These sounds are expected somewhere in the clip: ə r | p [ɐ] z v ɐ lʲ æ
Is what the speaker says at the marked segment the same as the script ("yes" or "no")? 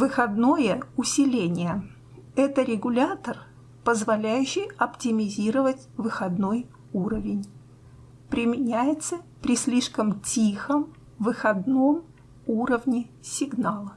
no